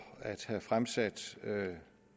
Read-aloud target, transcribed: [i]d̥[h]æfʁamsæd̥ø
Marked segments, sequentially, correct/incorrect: incorrect: æ, correct

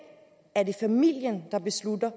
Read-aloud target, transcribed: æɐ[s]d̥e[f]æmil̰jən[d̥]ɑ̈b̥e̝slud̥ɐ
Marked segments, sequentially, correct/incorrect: incorrect: none, correct, correct

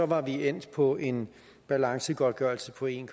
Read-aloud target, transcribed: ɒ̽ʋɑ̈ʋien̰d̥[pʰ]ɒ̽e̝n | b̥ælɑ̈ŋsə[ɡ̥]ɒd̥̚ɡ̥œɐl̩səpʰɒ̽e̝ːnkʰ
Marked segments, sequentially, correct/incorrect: correct, correct

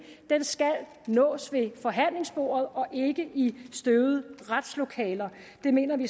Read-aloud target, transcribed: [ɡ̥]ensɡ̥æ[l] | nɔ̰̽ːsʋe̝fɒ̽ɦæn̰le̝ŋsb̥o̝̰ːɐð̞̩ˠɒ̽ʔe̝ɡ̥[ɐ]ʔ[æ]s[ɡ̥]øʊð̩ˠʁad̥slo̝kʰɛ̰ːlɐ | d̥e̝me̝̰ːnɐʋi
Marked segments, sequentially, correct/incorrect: incorrect: d̥, correct, incorrect: ə, incorrect: i, incorrect: d̥

